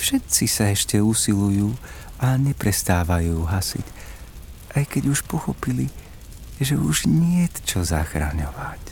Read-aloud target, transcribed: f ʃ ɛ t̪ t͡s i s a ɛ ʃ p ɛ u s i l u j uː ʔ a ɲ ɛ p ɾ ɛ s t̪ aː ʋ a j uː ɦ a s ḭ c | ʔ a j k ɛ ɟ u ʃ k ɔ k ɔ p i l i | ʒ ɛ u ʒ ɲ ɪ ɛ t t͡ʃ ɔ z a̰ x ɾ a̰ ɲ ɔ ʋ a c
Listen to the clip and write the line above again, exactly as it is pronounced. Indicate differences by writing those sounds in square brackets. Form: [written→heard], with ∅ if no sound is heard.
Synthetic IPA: f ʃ ɛ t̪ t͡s i s a ɛ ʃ [p→c] ɛ u s i l u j uː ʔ a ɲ ɛ p ɾ ɛ s t̪ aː ʋ a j uː ɦ a s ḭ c | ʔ a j k ɛ ɟ u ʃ [k→p] ɔ [k→x] ɔ p i l i | ʒ ɛ u ʒ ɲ ɪ ɛ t t͡ʃ ɔ z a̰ x ɾ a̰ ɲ ɔ ʋ a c